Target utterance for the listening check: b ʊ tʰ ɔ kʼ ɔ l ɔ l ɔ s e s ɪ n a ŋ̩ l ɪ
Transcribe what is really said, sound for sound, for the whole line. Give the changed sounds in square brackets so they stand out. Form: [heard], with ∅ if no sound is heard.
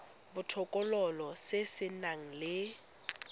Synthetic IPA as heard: b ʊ tʰ ɔ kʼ ɔ l ɔ l ɔ s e s ɪ n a ŋ̩ l ɪ